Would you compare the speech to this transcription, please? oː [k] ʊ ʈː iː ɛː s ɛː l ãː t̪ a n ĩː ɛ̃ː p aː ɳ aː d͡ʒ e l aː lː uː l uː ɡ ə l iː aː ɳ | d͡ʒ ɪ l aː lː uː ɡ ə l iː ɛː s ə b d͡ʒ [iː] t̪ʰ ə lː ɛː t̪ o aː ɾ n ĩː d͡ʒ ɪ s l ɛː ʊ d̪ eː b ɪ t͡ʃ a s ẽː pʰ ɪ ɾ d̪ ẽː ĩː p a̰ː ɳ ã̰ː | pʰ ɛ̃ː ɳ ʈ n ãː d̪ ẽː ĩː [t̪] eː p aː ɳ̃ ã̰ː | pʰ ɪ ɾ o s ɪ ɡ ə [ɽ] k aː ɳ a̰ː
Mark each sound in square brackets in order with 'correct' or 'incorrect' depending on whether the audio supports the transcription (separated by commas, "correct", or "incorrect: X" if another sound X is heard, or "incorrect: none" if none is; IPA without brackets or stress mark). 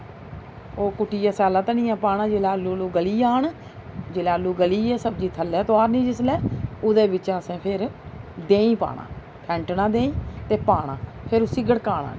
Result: correct, correct, correct, correct